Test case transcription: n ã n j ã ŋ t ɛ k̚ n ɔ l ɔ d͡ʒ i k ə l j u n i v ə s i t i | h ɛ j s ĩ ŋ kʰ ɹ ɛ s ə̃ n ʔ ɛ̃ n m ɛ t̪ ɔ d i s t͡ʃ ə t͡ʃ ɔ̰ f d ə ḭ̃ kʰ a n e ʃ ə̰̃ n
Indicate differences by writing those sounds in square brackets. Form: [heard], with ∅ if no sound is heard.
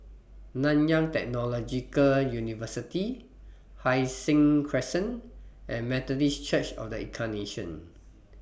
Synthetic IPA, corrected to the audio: n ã n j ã ŋ t ɛ k̚ n ɔ l ɔ d͡ʒ i k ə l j u n i v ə s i t i | h [a] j s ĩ ŋ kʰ ɹ ɛ s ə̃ n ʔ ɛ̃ n m ɛ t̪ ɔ d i s t͡ʃ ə t͡ʃ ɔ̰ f d ə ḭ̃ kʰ a n e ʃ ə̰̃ n

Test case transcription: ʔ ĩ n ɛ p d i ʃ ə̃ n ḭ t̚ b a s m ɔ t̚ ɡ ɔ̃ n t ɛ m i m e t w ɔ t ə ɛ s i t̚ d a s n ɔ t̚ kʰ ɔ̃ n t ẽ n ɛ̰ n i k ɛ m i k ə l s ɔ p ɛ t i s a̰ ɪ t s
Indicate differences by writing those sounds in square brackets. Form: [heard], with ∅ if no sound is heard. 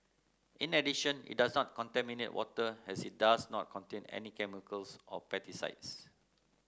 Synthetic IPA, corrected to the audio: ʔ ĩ n ɛ [∅] d i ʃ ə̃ n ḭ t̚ [d] a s [n] ɔ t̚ [k] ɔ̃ n t ɛ m i [n] e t w ɔ t ə ɛ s i t̚ d a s n ɔ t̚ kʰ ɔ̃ n t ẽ n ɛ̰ n i k ɛ m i k ə l s ɔ p ɛ t i s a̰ ɪ t s

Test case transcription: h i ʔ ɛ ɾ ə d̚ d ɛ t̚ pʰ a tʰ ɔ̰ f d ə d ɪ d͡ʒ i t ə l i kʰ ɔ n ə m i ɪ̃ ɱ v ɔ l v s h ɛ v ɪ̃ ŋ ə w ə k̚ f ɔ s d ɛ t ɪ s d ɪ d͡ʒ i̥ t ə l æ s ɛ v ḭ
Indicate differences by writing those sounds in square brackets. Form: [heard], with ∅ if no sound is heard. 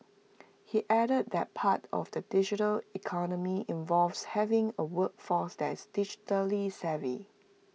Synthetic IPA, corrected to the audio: h i ʔ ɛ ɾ ə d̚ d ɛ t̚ pʰ a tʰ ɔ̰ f d ə d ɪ d͡ʒ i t ə l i kʰ ɔ n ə m i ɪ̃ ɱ v ɔ l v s h ɛ v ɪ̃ ŋ ə w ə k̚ f ɔ s d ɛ t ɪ s d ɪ d͡ʒ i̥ t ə l [i] s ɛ v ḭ

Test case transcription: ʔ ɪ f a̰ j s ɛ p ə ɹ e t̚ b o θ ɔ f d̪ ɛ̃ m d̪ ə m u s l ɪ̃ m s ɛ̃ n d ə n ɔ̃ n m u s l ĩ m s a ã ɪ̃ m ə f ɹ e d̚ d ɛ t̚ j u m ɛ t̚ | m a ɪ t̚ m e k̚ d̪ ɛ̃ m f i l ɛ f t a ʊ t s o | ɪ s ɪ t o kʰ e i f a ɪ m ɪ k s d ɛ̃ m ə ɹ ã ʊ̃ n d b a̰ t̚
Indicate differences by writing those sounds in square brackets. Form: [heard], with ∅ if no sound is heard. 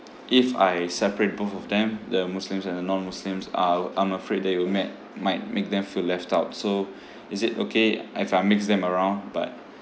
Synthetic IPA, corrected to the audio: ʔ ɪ f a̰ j s ɛ p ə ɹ e t̚ b o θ ɔ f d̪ ɛ̃ m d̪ ə m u s l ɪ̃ m s ɛ̃ n d ə n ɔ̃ n m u s l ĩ m s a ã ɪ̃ m ə f ɹ e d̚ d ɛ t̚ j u m ɛ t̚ | m a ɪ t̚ m e k̚ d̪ ɛ̃ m f i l ɛ f t a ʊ t s o | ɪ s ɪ t o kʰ e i f a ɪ m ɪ k s d ɛ̃ m ə ɹ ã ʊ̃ n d b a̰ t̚

